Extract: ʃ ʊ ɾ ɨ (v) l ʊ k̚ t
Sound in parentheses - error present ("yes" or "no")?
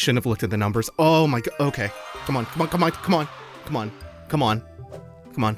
no